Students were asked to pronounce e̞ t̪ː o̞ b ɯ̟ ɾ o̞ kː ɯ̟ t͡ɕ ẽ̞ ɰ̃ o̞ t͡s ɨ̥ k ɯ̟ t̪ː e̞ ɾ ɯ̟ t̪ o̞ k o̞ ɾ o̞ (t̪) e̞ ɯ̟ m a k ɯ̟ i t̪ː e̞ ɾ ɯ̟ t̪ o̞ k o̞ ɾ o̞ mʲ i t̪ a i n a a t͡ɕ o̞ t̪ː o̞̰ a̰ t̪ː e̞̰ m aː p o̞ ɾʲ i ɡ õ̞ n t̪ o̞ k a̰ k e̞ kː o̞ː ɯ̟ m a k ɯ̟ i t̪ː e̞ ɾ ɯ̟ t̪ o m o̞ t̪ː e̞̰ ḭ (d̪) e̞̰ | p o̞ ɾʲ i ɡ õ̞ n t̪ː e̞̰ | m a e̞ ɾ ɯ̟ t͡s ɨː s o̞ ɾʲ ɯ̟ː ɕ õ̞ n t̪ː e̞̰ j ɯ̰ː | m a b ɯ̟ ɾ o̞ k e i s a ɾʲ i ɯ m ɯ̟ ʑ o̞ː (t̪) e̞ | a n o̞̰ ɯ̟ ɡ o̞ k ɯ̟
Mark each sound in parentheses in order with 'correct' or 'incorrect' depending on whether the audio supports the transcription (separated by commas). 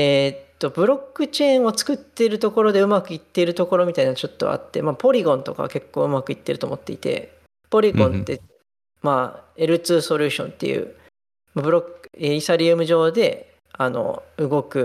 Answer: incorrect, incorrect, incorrect